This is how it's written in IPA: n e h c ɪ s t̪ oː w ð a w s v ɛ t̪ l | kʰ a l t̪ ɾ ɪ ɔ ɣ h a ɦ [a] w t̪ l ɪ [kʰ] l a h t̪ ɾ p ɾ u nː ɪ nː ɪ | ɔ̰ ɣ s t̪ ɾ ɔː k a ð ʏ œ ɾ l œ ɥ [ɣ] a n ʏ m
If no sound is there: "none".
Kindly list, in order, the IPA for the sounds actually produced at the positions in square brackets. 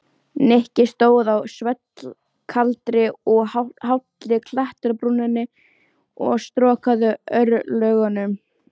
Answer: a, kʰ, ɣ

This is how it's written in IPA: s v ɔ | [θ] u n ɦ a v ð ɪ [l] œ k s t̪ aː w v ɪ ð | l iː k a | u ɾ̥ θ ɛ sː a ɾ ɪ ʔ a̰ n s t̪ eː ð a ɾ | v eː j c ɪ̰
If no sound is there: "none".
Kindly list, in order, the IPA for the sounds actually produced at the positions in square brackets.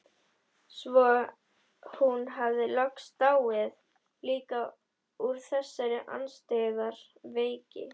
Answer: h, l

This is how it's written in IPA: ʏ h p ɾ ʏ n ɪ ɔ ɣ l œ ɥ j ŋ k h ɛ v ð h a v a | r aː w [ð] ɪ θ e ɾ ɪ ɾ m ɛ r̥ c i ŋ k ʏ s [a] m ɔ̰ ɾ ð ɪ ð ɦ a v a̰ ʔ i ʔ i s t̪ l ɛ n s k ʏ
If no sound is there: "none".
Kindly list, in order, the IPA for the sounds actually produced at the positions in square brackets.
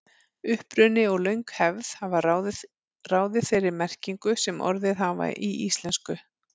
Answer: ð, ɛ

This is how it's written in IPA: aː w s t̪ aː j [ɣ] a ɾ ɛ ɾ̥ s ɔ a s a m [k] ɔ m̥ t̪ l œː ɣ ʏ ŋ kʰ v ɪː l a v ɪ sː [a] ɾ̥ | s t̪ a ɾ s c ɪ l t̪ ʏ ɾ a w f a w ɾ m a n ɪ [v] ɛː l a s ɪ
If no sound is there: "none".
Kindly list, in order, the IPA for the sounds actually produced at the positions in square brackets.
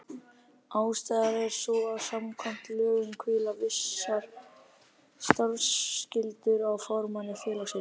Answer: ð, kʰ, a, f

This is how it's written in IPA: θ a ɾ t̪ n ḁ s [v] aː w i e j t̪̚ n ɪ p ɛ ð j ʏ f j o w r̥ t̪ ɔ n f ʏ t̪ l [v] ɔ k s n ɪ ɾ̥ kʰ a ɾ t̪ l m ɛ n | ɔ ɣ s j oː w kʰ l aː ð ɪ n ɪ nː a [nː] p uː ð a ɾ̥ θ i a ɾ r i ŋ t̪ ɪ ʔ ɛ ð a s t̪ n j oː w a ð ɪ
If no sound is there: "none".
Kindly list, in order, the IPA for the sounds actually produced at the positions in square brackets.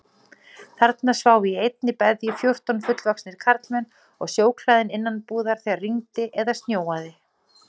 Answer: v, v, n

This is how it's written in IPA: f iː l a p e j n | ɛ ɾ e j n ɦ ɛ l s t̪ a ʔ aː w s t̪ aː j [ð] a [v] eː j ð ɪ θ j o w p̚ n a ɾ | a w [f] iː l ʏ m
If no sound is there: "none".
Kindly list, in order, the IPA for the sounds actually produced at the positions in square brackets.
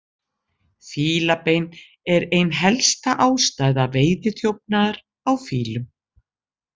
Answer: ð, v, f

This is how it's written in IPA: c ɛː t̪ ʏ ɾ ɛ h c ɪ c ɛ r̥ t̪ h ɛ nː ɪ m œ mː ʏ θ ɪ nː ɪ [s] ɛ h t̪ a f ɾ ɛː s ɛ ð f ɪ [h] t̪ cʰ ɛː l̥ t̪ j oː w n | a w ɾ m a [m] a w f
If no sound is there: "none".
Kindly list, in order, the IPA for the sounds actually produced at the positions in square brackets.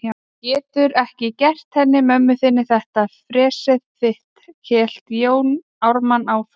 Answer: θ, h, n

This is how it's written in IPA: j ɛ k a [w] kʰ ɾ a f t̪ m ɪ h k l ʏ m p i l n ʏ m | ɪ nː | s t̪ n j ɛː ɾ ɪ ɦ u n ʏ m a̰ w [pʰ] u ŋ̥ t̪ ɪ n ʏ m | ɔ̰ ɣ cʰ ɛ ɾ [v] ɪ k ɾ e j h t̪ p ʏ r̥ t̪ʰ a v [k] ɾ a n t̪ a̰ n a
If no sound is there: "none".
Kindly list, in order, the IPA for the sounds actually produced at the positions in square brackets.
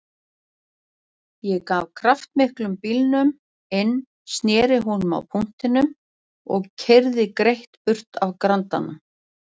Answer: v, pʰ, ð, k

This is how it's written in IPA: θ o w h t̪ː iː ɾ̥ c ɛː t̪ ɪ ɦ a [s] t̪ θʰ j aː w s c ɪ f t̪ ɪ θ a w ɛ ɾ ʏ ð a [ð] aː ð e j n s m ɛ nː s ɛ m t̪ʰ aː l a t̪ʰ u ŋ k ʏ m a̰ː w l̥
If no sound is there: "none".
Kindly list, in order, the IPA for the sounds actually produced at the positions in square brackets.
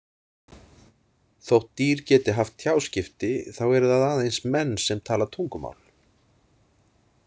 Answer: f, ð

